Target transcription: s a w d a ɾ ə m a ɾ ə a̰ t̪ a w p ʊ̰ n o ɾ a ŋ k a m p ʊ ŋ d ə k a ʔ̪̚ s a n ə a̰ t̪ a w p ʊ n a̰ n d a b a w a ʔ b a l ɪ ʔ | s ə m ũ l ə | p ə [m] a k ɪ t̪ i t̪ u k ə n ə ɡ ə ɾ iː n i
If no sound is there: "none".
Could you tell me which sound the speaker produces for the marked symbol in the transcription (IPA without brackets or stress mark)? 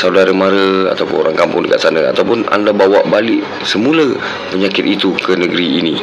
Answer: ɲ